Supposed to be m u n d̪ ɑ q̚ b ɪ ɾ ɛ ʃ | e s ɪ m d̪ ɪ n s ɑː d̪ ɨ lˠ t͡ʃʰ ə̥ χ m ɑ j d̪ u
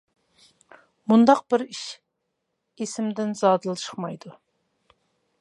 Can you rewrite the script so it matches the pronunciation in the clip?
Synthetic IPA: m u n d̪ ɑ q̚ b ɪ ɾ i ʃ | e s ɪ m d̪ ɪ n z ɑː d̪ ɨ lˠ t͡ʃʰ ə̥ χ m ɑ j d̪ u